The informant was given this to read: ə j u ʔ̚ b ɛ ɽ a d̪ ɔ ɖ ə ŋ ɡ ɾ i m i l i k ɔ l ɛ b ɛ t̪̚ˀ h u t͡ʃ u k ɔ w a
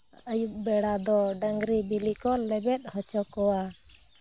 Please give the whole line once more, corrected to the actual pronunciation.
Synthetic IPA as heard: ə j u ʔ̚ b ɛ ɽ a d̪ ɔ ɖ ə ŋ ɡ ɾ i b i l i k ɔ l ɛ b ɛ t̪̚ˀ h ɔ t͡ʃ ɔ k ɔ w a

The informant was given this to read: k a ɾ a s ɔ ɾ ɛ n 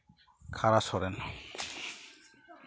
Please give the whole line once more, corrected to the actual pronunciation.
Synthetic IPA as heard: kʰ a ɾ a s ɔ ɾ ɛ n

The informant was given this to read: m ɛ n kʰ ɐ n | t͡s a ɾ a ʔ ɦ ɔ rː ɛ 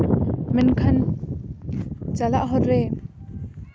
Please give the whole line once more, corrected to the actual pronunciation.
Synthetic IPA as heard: m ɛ n kʰ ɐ n | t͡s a l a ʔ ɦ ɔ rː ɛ

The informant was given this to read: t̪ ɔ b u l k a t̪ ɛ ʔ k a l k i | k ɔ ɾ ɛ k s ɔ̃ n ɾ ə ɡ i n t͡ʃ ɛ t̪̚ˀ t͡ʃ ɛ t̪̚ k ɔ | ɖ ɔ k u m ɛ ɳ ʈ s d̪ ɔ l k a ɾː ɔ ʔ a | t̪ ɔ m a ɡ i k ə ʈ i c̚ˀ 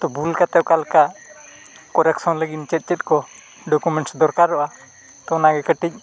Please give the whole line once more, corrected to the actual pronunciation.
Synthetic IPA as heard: t̪ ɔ b u l k a t̪ ɛ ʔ k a l k a | k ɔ ɾ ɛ k s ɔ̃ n l ə ɡ i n t͡ʃ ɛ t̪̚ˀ t͡ʃ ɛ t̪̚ k ɔ | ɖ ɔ k u m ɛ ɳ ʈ s d̪ ɔ ɾ k a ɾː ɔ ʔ a | t̪ ɔ n a ɡ ɛ k ə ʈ i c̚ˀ

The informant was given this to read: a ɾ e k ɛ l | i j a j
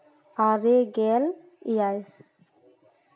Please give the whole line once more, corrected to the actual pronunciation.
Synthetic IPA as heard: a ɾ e ɡ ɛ l | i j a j

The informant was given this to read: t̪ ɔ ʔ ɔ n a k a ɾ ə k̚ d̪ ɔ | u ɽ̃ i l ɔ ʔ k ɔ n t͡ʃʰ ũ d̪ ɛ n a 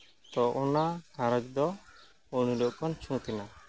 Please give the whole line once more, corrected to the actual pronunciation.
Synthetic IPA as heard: t̪ ɔ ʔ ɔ n a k a ɾ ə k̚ d̪ ɔ | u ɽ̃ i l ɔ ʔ k ɔ n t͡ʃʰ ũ t̪ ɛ n a

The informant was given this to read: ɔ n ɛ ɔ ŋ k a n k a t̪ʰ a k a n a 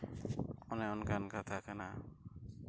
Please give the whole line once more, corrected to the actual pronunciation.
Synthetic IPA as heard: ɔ n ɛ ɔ n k a n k a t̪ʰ a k a n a

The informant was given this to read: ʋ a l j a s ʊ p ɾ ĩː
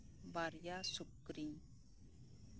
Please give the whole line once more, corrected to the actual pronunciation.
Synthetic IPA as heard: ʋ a ɾ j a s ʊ k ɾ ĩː

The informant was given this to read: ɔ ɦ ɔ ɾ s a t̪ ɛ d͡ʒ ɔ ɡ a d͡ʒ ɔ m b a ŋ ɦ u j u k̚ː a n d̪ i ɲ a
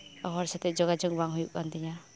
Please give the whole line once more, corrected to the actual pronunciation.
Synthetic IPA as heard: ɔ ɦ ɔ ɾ s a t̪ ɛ d͡ʒ ɔ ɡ a d͡ʒ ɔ ŋ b a ŋ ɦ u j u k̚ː a n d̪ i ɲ a

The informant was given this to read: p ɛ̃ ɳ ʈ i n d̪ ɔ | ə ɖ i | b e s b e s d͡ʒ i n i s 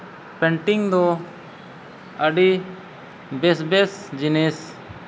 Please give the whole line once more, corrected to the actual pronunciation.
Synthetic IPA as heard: p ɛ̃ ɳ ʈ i ŋ d̪ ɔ | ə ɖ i | b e s b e s d͡ʒ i n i s

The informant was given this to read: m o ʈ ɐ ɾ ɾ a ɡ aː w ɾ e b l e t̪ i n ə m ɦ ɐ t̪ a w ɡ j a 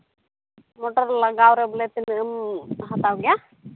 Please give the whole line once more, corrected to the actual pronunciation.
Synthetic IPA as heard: m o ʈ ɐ ɾ l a ɡ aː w ɾ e b l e t̪ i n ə m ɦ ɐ t̪ a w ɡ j a

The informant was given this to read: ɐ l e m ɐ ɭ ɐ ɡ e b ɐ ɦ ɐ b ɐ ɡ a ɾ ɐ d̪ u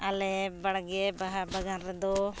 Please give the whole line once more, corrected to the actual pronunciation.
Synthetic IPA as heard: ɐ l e b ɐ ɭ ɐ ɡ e b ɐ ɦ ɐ b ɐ ɡ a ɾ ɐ d̪ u

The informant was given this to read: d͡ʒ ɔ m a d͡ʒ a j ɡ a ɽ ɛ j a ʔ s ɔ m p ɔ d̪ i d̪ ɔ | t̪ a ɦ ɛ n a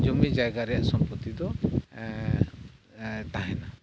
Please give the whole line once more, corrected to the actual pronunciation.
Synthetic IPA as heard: d͡ʒ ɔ m i d͡ʒ a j ɡ a ɾ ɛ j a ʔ s ɔ m p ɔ t̪ i d̪ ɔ | t̪ a ɦ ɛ n a

